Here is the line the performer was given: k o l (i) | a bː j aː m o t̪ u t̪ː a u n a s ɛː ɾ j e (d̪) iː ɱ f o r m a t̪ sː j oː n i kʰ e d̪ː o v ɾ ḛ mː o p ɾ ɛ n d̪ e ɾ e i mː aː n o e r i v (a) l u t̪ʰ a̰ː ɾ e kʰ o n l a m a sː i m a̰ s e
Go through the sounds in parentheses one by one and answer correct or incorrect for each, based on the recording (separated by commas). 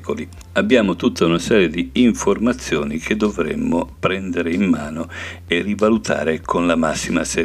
correct, correct, correct